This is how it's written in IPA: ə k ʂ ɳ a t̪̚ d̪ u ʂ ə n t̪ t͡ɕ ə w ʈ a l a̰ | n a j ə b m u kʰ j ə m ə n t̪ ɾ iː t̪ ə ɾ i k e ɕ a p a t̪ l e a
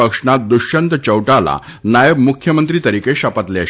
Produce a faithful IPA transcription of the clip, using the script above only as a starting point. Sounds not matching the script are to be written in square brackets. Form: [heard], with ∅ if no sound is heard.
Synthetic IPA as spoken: ə k ʂ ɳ a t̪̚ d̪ u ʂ ə n t̪ t͡ɕ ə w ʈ a l a̰ | n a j ə b m u kʰ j ə m ə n t̪ ɾ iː t̪ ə ɾ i k e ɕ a p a t̪ l e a